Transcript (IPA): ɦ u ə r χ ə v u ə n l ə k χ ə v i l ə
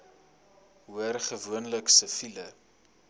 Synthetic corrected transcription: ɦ u ə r χ ə v u ə n l ə k s ə f i l ə